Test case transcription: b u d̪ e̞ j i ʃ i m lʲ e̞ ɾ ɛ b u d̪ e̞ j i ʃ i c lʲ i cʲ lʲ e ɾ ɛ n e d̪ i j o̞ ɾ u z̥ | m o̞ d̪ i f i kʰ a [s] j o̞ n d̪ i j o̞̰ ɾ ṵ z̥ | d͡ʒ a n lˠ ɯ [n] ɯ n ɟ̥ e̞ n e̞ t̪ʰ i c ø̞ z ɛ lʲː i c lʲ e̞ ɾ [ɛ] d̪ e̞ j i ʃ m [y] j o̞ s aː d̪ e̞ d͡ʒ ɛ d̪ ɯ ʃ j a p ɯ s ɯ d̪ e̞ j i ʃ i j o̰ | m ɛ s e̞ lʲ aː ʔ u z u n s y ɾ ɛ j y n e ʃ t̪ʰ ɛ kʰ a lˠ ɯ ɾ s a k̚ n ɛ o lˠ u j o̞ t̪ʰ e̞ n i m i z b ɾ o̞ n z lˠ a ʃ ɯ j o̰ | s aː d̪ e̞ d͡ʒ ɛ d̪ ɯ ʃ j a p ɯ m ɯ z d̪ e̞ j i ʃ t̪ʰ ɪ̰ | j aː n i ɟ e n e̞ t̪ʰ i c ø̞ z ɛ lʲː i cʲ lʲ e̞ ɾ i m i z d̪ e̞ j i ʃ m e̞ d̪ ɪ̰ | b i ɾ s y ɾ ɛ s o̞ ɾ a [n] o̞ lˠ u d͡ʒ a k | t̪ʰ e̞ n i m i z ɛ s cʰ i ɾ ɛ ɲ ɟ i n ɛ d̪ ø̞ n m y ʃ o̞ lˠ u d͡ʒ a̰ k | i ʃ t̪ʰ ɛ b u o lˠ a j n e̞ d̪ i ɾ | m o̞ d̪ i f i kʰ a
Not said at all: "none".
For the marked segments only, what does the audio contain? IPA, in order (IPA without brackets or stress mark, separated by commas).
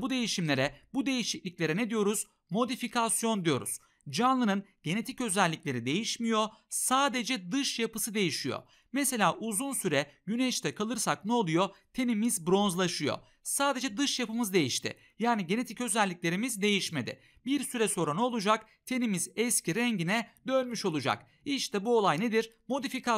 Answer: s, n, i, i, n